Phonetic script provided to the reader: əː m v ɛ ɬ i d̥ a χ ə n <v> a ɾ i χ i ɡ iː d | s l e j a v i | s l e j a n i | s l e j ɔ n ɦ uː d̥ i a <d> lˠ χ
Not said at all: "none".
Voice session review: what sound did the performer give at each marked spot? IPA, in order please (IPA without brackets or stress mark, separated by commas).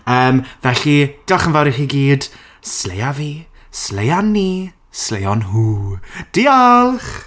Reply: v, none